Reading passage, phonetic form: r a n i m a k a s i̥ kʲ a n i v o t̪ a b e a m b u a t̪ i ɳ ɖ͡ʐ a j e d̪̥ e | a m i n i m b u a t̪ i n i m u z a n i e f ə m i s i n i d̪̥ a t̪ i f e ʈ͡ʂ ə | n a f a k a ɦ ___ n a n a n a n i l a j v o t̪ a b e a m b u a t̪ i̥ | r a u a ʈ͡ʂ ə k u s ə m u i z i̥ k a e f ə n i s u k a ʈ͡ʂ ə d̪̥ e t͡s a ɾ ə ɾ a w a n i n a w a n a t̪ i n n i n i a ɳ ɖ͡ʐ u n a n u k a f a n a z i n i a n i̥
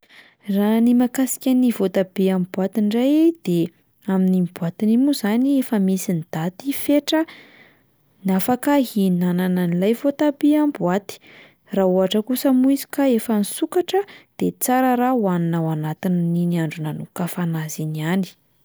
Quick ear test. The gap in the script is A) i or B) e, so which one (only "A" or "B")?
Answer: A